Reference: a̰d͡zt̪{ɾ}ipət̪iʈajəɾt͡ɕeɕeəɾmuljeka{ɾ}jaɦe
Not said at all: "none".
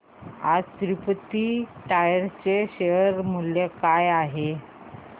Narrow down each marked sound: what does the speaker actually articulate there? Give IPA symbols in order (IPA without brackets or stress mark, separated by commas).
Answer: ɾ, none